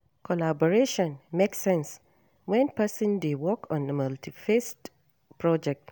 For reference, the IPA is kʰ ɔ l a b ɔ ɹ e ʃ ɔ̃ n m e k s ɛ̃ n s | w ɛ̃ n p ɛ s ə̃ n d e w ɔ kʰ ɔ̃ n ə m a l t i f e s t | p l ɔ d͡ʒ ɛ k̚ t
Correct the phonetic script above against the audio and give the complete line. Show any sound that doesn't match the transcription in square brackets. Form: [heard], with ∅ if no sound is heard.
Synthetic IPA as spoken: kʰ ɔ l a b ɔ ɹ e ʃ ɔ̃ n m e k s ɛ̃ n s | w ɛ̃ n p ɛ s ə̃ n d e w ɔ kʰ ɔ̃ n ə m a l t i f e s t | p [ɹ] ɔ d͡ʒ ɛ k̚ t